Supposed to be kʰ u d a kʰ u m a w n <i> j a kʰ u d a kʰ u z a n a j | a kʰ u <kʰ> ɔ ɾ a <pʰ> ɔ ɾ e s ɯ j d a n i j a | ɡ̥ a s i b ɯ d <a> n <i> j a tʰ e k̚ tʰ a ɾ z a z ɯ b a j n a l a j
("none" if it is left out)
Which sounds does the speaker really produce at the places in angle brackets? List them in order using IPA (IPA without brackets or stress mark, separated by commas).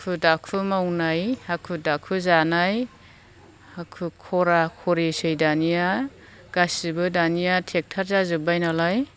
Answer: a, kʰ, kʰ, a, i